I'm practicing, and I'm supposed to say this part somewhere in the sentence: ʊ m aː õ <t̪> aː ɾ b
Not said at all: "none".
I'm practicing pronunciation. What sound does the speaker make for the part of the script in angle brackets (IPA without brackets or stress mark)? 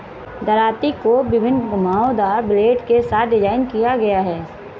d̪